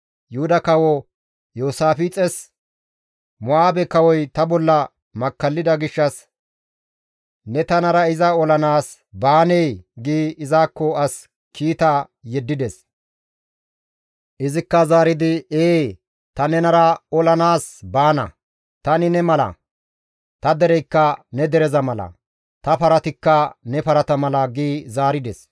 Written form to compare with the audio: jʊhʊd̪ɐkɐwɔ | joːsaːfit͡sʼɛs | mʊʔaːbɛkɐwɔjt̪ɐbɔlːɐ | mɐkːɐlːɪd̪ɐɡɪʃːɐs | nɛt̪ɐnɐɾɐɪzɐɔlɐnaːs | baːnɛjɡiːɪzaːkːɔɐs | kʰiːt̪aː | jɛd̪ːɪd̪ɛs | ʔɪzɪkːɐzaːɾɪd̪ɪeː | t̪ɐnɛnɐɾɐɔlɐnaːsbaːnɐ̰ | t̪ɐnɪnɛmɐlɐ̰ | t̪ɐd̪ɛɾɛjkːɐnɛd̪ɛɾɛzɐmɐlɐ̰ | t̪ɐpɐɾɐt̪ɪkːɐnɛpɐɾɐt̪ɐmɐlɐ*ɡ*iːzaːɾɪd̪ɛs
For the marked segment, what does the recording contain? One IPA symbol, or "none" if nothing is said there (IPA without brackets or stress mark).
ɡ